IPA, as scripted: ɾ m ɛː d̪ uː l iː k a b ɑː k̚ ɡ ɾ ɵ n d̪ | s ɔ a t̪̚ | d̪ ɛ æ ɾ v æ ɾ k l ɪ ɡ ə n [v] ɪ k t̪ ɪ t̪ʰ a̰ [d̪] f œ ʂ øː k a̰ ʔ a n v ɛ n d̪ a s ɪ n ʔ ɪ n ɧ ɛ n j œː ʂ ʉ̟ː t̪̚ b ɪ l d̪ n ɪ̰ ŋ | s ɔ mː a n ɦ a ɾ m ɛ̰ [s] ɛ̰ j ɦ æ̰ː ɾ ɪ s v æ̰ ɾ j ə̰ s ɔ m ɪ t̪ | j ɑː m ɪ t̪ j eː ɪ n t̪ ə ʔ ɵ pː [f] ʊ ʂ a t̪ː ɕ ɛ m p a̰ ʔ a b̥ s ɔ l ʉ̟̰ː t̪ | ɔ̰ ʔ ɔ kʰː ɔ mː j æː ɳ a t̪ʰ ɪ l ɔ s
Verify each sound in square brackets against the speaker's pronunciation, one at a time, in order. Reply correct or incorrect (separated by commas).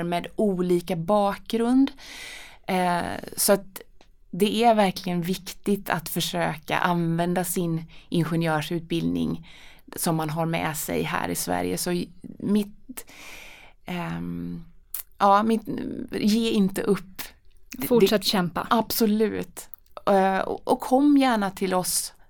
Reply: correct, incorrect, correct, correct